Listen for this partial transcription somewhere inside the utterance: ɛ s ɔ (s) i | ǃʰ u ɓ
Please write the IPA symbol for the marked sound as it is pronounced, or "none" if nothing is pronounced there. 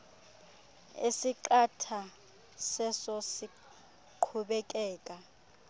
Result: s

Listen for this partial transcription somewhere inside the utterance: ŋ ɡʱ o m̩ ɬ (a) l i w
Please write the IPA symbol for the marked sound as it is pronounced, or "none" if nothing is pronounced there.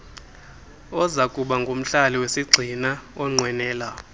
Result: a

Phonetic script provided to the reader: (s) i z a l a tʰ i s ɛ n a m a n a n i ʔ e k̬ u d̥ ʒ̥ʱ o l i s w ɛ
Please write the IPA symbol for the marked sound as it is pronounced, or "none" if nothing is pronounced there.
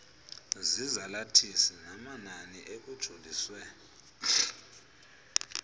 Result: z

